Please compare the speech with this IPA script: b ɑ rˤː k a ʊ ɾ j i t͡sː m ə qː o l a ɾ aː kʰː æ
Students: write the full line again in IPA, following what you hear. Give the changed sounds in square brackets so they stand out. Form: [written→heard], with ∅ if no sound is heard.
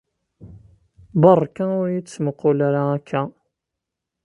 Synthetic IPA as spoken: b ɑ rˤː k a ʊ ɾ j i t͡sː m ə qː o l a ɾ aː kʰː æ